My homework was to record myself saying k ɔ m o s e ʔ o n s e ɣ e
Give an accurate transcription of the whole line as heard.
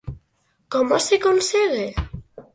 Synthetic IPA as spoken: k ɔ m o s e k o n s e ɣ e